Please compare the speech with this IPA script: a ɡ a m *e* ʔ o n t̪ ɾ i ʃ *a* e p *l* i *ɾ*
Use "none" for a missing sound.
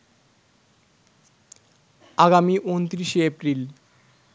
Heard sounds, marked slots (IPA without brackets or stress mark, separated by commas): i, e, ɾ, l